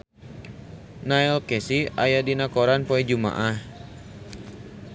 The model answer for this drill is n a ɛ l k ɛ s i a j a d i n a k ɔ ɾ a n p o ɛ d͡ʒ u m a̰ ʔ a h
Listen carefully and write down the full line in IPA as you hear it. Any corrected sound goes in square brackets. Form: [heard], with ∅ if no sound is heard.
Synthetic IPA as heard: n a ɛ l k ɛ s i a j a d i n a k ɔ ɾ a n p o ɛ d͡ʒ u m a̰ ʔ a h